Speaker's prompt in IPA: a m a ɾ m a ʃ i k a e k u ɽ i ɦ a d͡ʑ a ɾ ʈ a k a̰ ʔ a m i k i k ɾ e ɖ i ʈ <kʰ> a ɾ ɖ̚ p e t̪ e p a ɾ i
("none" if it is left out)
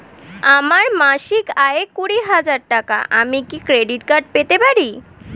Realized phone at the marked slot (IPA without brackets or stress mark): k